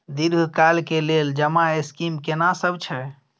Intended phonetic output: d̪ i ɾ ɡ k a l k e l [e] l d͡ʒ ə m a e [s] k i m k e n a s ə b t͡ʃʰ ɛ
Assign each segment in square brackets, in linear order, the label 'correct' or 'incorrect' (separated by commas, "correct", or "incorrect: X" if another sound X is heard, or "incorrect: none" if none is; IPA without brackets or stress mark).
correct, correct